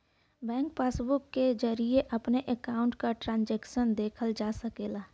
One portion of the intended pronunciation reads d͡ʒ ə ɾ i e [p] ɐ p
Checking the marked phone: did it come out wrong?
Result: yes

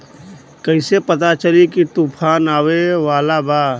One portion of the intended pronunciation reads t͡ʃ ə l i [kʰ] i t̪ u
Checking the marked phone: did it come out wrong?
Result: yes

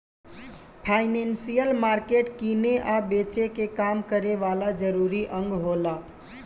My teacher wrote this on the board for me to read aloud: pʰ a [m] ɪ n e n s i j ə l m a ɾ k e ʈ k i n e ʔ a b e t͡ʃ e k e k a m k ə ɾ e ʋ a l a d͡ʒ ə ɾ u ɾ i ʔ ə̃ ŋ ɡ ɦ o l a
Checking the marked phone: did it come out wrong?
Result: yes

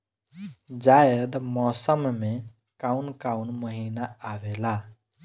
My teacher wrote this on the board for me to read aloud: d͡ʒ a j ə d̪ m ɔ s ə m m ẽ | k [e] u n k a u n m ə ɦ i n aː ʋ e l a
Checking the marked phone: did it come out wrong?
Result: yes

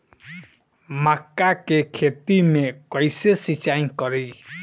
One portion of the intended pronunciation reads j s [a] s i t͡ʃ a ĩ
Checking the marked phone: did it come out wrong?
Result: yes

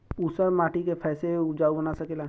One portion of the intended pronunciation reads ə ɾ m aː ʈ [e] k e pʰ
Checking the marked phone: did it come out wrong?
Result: yes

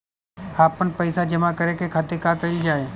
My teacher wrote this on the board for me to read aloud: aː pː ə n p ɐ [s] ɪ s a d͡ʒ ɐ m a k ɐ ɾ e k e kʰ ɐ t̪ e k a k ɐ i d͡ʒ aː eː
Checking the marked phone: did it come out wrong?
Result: yes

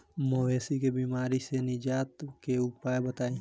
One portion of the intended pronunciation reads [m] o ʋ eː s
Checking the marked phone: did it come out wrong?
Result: no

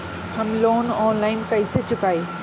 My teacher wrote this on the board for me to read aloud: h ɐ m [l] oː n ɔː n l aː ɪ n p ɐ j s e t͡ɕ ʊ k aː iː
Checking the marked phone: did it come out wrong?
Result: no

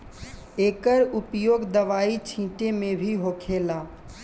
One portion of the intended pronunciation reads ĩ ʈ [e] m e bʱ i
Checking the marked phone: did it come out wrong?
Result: no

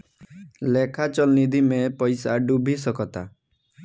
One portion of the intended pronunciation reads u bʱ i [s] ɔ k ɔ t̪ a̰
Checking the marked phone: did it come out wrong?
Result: no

